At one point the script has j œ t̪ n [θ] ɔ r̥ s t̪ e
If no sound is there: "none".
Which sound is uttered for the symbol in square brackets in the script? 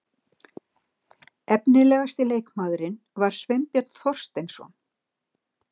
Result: θ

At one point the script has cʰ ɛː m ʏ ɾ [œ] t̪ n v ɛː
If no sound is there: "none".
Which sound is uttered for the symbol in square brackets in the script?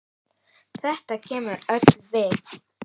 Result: œ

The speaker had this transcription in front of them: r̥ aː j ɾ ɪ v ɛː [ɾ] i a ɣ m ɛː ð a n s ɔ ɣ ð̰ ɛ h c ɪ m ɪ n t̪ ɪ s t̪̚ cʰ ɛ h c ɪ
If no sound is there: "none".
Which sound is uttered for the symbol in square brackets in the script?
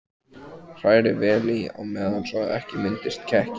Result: l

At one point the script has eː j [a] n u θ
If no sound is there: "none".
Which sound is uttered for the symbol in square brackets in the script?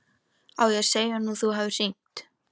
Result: a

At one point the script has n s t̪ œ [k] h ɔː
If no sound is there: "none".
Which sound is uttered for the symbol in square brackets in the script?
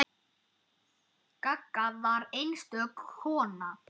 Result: k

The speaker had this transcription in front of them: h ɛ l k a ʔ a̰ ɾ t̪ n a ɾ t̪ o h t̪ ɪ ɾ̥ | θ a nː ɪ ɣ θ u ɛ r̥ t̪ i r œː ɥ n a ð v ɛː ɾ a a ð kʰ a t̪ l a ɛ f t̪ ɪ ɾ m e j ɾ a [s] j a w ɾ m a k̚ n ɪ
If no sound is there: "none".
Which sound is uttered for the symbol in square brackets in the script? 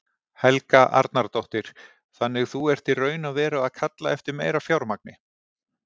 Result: f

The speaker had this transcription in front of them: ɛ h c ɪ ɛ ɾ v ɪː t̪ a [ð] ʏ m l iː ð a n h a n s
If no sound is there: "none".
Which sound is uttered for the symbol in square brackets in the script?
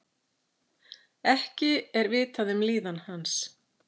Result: ð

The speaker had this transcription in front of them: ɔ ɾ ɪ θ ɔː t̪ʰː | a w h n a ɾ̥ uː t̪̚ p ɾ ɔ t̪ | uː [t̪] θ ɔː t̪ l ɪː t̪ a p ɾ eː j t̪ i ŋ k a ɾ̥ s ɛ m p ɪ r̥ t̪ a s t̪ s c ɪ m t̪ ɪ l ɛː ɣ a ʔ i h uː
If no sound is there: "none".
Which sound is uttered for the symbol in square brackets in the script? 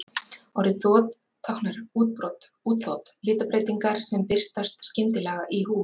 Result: t̪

